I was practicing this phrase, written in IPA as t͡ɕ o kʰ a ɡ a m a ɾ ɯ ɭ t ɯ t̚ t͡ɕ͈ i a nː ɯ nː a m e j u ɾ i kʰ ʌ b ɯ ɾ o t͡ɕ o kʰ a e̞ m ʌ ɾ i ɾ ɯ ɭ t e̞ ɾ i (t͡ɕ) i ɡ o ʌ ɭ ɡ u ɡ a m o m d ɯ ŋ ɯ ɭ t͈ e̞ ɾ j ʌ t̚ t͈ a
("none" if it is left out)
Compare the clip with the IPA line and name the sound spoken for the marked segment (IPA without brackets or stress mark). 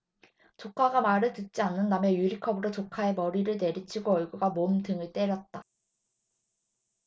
t͡ɕʰ